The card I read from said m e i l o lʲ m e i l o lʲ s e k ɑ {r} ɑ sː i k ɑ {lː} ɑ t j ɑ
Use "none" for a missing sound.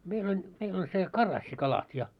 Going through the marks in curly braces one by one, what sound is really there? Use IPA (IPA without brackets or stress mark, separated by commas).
r, l